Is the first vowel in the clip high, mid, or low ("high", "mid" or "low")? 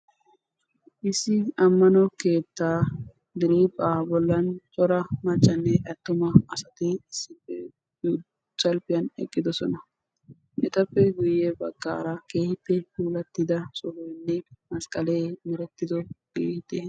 high